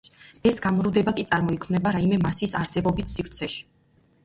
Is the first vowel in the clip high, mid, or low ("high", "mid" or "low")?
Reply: mid